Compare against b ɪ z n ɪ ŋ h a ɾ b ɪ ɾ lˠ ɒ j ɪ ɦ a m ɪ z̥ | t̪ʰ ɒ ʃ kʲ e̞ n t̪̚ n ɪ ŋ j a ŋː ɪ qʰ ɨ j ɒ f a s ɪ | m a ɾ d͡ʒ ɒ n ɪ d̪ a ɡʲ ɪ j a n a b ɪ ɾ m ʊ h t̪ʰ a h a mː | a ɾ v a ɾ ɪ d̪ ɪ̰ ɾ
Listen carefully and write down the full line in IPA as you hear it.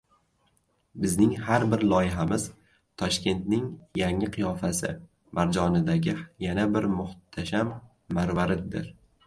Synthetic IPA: b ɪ z n ɪ ŋ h a ɾ b ɪ ɾ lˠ ɒ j ɪ ɦ a m ɪ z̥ | t̪ʰ ɒ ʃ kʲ e̞ n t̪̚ n ɪ ŋ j a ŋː ɪ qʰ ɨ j ɒ f a s ɪ | m a ɾ d͡ʒ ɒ n ɪ d̪ a ɡʲ ɪ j a n a b ɪ ɾ m ʊ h t̪ʰ a ʃ a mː | a ɾ v a ɾ ɪ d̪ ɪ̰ ɾ